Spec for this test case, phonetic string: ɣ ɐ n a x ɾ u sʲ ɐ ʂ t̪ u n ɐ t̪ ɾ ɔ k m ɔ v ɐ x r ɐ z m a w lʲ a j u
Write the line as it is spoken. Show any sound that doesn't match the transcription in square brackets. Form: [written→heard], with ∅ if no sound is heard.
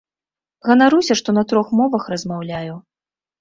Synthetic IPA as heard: ɣ ɐ n a [x→∅] ɾ u sʲ ɐ ʂ t̪ [u→ɔ] n ɐ t̪ ɾ ɔ [k→x] m ɔ v ɐ x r ɐ z m a w lʲ a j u

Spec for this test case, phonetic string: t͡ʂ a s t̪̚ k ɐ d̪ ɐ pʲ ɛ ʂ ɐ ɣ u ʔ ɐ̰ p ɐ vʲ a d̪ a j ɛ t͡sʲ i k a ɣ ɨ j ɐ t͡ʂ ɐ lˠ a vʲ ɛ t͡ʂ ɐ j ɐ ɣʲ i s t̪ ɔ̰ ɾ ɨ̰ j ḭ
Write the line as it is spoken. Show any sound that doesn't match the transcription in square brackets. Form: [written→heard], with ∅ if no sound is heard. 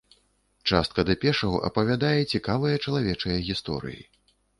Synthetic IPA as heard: t͡ʂ a s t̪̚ k ɐ d̪ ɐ pʲ ɛ ʂ ɐ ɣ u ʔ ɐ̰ p ɐ vʲ a d̪ a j ɛ t͡sʲ i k a [ɣ→v] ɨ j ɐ t͡ʂ ɐ lˠ a vʲ ɛ t͡ʂ ɐ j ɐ ɣʲ i s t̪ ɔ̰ ɾ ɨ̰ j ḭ

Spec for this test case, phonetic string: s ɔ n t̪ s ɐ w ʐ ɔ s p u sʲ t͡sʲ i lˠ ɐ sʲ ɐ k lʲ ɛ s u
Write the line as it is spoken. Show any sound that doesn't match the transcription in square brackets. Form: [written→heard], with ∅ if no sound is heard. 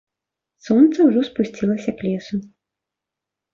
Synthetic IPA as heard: s ɔ n t̪ s ɐ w ʐ ɔ s p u sʲ t͡sʲ i lˠ ɐ sʲ ɐ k lʲ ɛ s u

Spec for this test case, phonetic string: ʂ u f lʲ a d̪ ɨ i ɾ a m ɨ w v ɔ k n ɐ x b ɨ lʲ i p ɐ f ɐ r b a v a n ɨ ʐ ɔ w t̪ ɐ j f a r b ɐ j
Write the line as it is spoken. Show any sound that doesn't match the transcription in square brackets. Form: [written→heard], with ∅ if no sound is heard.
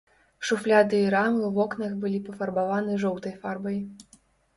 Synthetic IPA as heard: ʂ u f lʲ a d̪ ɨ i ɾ a m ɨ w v ɔ k n ɐ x b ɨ lʲ i p ɐ f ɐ r b a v a n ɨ ʐ ɔ w t̪ ɐ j f a r b ɐ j

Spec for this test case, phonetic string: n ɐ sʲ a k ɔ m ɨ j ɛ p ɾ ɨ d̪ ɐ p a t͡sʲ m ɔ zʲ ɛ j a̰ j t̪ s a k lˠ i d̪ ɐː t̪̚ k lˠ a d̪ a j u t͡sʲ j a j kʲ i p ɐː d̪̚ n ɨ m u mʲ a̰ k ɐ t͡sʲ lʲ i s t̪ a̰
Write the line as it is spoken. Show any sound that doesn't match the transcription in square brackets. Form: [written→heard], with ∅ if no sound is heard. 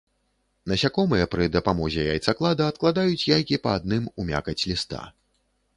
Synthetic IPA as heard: n ɐ sʲ a k ɔ m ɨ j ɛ p ɾ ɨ d̪ ɐ p a [t͡sʲ→∅] m ɔ zʲ ɛ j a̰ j t̪ s a k lˠ [i→a] d̪ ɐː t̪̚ k lˠ a d̪ a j u t͡sʲ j a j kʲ i p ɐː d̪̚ n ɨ m u mʲ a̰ k ɐ t͡sʲ lʲ i s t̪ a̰

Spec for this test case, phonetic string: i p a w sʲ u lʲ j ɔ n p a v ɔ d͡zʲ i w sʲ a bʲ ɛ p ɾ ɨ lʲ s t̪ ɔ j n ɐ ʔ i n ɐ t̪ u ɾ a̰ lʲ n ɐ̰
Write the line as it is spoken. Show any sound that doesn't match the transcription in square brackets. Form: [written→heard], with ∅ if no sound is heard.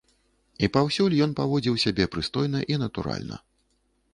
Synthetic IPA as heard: i p a w sʲ u lʲ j ɔ n p a v ɔ d͡zʲ i w sʲ a bʲ ɛ p ɾ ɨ [lʲ→∅] s t̪ ɔ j n ɐ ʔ i n ɐ t̪ u ɾ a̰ lʲ n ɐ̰

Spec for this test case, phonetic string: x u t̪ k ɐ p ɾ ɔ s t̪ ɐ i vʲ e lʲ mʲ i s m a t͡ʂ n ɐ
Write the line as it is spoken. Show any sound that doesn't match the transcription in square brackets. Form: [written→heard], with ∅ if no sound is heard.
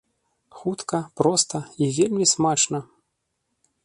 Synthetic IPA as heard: x u t̪ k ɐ p ɾ ɔ s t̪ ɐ i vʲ e lʲ mʲ i s m a t͡ʂ n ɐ

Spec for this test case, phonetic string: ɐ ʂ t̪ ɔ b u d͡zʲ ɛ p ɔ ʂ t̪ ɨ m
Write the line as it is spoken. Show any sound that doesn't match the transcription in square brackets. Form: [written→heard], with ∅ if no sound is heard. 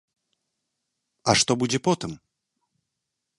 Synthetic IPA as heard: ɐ ʂ t̪ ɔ b u d͡zʲ ɛ p ɔ [ʂ→∅] t̪ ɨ m

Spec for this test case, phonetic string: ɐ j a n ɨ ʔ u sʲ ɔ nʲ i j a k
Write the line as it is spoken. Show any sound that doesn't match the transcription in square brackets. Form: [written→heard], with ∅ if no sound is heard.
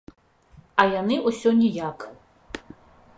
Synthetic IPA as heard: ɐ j a n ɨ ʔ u sʲ ɔ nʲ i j a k

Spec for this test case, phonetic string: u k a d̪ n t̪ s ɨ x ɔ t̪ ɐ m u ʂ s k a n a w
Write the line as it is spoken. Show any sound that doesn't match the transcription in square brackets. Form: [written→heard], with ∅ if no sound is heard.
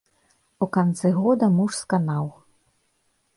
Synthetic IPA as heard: u k a [d̪→∅] n t̪ s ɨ [x→ɣ] ɔ [t̪→d̪] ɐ m u ʂ s k a n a w

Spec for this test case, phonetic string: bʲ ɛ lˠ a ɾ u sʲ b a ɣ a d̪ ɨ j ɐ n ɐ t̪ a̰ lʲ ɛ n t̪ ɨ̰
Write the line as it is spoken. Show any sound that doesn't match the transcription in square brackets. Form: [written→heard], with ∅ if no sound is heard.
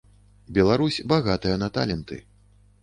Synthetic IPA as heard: bʲ ɛ lˠ a ɾ u sʲ b a ɣ a [d̪→t̪] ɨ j ɐ n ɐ t̪ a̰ lʲ ɛ n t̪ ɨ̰

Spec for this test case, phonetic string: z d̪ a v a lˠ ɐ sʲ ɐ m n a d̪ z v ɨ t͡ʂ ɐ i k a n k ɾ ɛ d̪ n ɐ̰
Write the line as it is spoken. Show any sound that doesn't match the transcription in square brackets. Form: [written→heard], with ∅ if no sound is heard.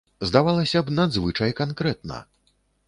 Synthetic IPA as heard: z d̪ a v a lˠ ɐ sʲ ɐ [m→b] n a d̪ z v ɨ t͡ʂ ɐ [i→j] k a n k ɾ ɛ [d̪→t̪] n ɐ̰

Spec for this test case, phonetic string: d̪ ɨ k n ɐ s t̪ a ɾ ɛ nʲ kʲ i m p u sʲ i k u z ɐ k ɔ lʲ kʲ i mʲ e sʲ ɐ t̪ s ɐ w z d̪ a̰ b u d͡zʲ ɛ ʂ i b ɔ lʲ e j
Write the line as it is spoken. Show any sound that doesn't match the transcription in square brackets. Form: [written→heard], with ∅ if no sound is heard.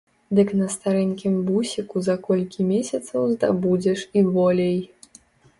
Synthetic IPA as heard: d̪ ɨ k n ɐ s t̪ a ɾ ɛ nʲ kʲ i m [p→b] u sʲ i k u z ɐ k ɔ lʲ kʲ i mʲ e sʲ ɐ t̪ s ɐ w z d̪ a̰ b u d͡zʲ ɛ ʂ i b ɔ lʲ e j

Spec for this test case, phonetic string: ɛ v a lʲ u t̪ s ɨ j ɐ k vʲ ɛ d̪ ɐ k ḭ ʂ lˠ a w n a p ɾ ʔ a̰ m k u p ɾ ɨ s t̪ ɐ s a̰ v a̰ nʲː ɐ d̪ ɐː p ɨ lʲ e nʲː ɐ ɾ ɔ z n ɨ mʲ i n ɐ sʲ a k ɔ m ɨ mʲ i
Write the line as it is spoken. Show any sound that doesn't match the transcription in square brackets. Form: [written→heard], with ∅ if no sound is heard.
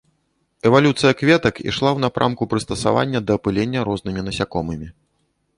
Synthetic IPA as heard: ɛ v a lʲ u t̪ s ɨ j ɐ k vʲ ɛ [d̪→t̪] ɐ k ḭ ʂ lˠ a w n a p ɾ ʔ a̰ m k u p ɾ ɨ s t̪ ɐ s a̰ v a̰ nʲː ɐ d̪ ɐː p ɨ lʲ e nʲː ɐ ɾ ɔ z n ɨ mʲ i n ɐ sʲ a k ɔ m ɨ mʲ i

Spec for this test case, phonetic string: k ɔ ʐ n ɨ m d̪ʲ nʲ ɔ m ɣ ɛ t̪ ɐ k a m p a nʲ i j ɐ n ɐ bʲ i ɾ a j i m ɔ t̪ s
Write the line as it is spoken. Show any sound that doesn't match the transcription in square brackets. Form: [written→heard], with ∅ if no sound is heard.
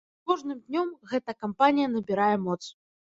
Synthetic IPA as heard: k ɔ ʐ n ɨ m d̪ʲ nʲ ɔ m ɣ ɛ t̪ ɐ k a m p a nʲ i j ɐ n ɐ bʲ i ɾ a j [i→ɛ] m ɔ t̪ s

